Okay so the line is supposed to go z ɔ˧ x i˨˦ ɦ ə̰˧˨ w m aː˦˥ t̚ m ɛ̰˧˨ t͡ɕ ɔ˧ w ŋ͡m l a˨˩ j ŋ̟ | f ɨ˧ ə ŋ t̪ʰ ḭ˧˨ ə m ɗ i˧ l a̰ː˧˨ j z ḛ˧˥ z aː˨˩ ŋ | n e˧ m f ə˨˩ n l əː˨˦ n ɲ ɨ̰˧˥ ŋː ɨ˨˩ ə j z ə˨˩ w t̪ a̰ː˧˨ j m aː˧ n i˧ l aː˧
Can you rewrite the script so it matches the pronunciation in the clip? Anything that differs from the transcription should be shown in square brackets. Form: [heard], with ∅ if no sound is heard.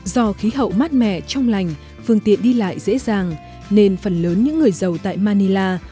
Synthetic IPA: z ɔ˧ x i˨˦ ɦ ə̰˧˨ w m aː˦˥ t̚ m ɛ̰˧˨ t͡ɕ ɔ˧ w ŋ͡m l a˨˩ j ŋ̟ | f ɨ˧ ə ŋ [t̪] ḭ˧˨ ə [n] ɗ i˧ l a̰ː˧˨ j z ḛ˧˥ z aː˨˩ ŋ | n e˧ [n] f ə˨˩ n l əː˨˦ n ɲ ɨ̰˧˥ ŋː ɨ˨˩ ə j z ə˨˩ w t̪ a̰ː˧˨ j m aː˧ n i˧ l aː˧